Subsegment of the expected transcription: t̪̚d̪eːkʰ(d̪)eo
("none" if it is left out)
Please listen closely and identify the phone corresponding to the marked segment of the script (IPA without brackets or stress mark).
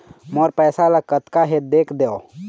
d̪